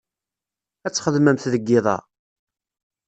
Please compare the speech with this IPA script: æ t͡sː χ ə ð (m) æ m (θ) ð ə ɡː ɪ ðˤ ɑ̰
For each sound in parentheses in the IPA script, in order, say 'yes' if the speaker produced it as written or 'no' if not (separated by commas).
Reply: yes, yes